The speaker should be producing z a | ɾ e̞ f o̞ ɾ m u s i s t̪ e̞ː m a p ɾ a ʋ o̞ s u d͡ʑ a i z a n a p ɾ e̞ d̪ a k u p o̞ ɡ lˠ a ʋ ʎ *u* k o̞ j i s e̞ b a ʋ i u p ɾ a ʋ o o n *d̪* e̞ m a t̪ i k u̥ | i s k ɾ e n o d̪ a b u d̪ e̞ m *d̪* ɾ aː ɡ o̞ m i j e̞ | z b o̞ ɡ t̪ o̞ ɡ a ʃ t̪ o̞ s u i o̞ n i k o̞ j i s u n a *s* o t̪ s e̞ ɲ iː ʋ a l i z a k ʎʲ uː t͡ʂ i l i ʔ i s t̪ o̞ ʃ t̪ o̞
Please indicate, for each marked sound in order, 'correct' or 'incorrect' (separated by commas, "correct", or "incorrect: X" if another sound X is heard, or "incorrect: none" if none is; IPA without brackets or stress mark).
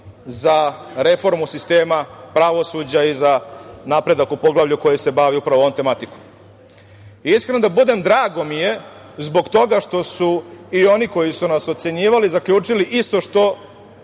correct, incorrect: t̪, correct, correct